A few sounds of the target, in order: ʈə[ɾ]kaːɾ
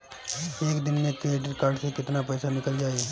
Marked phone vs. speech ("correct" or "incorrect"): correct